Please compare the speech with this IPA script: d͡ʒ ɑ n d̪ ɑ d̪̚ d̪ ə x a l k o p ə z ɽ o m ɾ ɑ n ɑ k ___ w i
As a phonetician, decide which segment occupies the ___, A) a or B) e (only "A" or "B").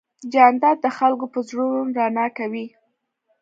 A